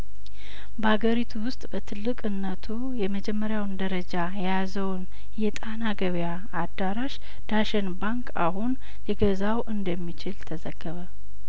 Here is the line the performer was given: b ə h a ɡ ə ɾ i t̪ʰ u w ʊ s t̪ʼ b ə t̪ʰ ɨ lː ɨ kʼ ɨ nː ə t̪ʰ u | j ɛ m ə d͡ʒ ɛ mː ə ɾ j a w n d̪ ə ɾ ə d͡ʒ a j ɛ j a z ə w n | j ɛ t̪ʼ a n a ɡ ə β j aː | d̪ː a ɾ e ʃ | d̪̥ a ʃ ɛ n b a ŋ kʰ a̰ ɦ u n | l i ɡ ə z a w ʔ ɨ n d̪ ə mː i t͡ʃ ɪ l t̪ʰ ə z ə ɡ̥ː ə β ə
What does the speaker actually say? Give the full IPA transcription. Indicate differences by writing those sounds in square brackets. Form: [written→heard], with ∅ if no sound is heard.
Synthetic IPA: b ə h a ɡ ə ɾ i t̪ʰ u w ʊ s t̪ʼ b ə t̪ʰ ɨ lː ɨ kʼ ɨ nː ə t̪ʰ u | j ɛ m ə d͡ʒ ɛ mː ə ɾ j a w n d̪ ə ɾ ə d͡ʒ a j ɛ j a z ə w n | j ɛ t̪ʼ a n a ɡ ə β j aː | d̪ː a ɾ [e→a] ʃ | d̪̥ a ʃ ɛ n b a ŋ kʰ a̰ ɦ u n | l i ɡ ə z a w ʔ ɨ n d̪ ə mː i t͡ʃ ɪ l t̪ʰ ə z ə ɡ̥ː ə β ə